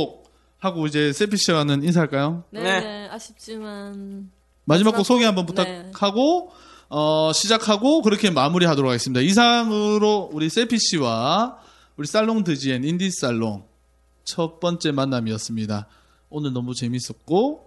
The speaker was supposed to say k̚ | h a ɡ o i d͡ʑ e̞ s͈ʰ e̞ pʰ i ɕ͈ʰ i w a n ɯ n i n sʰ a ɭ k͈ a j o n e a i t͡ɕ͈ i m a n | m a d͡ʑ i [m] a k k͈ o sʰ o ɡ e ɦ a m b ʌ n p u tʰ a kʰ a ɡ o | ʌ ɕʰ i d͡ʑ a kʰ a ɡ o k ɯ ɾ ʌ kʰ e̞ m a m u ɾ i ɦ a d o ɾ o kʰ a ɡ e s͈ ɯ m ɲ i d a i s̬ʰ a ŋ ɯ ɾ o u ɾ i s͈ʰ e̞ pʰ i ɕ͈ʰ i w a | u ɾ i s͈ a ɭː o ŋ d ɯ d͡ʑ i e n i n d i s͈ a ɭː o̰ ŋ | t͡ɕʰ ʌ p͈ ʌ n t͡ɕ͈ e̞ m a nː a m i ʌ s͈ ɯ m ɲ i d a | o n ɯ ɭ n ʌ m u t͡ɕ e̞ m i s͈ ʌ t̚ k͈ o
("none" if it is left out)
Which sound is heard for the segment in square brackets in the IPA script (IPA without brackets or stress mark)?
m